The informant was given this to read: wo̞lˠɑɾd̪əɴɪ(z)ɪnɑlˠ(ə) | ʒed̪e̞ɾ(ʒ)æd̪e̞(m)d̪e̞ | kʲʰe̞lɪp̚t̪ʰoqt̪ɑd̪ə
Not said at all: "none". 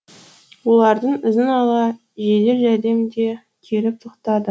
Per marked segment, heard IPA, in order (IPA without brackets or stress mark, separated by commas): z, ɑ, ʒ, m